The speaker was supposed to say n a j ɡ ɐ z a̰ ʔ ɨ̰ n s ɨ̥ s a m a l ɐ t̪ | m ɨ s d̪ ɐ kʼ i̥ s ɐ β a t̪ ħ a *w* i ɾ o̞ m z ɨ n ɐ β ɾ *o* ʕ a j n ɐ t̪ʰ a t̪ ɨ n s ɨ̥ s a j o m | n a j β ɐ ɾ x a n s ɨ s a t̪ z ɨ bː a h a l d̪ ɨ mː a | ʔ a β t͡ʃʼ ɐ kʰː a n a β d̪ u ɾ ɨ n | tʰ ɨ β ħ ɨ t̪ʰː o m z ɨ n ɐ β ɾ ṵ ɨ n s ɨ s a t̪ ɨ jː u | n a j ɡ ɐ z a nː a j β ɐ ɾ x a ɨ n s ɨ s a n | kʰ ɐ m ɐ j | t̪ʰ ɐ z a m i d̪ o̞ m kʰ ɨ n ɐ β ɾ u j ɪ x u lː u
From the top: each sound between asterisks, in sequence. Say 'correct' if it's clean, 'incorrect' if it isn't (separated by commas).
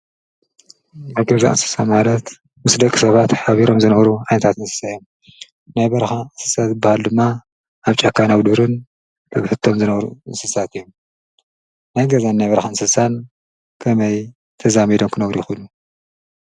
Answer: incorrect, incorrect